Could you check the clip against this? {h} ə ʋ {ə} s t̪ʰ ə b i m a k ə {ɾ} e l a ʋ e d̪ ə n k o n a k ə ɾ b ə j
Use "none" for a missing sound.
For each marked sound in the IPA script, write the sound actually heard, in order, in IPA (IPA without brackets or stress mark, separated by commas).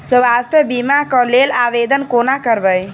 s, a, l